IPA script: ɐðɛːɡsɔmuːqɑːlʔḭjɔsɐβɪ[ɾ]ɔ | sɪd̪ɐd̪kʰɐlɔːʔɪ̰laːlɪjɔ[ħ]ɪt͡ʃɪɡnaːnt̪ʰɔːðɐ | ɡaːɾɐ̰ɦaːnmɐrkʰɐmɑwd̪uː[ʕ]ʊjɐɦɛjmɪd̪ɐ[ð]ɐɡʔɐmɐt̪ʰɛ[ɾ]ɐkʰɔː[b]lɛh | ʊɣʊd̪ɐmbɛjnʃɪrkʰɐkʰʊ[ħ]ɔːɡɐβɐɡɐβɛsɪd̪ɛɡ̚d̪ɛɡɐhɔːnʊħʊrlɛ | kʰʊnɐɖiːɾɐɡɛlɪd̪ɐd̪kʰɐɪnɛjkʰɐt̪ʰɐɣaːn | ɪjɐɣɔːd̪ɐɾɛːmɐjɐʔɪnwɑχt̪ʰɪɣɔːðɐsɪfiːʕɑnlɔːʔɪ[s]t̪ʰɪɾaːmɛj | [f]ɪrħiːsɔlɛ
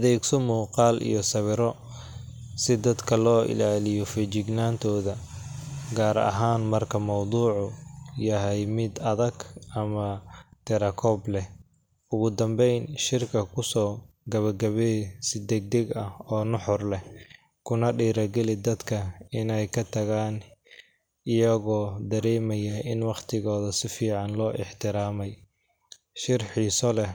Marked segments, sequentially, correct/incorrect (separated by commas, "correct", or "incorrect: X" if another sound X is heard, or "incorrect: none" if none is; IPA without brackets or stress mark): correct, incorrect: f, correct, correct, correct, correct, incorrect: s, incorrect: ħ, incorrect: ʃ